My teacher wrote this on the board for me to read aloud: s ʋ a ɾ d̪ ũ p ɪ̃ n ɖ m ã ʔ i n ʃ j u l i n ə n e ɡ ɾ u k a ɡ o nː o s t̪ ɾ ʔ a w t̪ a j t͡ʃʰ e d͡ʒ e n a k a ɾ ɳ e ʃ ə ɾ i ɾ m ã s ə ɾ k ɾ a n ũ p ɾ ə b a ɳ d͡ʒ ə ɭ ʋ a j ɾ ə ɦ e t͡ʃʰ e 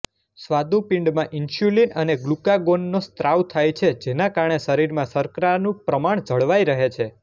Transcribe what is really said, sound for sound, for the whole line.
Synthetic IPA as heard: s ʋ a d̪ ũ p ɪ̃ ɳ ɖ m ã ʔ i n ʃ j u l i n ə n e ɡ l u k a ɡ o nː o s t̪ ɾ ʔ a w t̪ʰ a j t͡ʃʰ e d͡ʒ e n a k a ɾ ɳ e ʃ ə ɾ i ɾ m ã s ə ɾ k ɾ a n ũ p ɾ ə m a ɳ d͡ʒ ə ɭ ʋ a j ɾ ə ɦ e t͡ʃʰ e